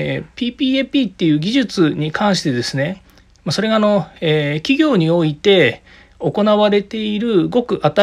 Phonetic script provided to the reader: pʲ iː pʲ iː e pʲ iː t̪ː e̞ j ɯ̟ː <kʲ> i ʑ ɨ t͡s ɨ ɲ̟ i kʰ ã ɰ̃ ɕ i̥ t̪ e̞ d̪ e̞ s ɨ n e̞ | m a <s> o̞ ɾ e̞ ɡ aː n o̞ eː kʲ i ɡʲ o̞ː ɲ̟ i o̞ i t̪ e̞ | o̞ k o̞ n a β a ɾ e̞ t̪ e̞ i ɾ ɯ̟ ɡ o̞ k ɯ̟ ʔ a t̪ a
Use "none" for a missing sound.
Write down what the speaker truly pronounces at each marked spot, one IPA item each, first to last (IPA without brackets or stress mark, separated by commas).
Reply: ɡʲ, s